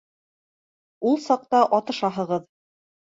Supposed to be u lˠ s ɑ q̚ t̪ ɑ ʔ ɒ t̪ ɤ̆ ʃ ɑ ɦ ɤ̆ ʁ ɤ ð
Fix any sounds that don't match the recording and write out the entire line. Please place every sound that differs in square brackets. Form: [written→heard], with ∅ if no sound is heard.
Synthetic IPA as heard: u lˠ s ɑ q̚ t̪ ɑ ʔ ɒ t̪ ɤ̆ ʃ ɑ ɦ ɤ̆ ʁ ɤ ð